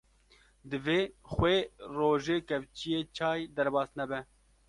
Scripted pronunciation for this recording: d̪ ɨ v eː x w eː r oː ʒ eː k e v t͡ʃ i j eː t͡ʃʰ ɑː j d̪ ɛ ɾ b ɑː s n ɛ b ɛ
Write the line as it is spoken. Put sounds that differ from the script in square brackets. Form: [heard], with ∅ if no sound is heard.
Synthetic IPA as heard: d̪ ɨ v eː x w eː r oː ʒ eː k [ɛ] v t͡ʃ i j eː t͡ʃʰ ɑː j d̪ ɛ ɾ b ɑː s n ɛ b ɛ